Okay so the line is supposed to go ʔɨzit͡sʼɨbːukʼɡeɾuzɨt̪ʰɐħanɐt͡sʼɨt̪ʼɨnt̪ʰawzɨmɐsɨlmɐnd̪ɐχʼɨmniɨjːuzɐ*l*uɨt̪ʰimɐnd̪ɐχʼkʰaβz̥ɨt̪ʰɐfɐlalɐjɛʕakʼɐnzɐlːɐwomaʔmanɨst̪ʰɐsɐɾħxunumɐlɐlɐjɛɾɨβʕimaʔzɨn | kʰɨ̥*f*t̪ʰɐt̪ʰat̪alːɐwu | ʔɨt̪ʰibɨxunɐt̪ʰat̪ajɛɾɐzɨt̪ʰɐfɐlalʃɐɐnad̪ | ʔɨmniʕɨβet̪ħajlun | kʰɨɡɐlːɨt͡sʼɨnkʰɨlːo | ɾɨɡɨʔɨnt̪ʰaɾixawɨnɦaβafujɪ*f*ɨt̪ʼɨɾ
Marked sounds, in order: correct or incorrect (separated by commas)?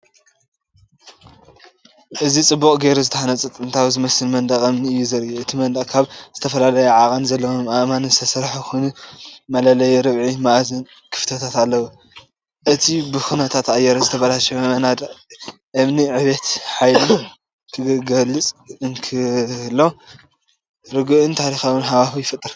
incorrect, correct, correct